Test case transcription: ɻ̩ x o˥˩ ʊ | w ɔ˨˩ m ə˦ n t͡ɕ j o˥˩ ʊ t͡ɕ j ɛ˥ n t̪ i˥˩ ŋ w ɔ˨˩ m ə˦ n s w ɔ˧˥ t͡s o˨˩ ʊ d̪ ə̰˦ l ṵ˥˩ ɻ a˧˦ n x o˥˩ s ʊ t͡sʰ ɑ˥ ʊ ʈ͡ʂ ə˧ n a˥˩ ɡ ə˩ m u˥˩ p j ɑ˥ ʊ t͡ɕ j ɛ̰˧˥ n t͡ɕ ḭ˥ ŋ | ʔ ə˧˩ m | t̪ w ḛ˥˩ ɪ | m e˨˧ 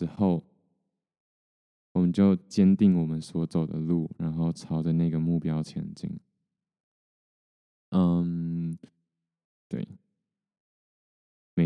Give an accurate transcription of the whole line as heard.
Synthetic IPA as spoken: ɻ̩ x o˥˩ ʊ | w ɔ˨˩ m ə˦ n t͡ɕ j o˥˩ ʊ t͡ɕ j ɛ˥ n t̪ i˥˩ ŋ w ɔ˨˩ m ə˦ n s w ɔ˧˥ t͡s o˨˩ ʊ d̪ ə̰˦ l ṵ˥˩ ɻ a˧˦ n x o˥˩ ʊ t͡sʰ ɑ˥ ʊ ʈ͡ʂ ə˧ n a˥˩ ɡ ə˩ m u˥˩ p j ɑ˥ ʊ t͡ɕʰ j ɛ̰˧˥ n t͡ɕ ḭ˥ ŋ | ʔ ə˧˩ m | t̪ w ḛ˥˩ ɪ | m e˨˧